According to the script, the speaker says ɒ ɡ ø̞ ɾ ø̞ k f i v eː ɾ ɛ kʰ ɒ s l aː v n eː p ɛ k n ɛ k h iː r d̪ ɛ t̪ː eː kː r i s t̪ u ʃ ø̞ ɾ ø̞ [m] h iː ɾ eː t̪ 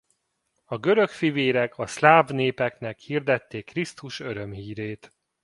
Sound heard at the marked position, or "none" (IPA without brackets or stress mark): m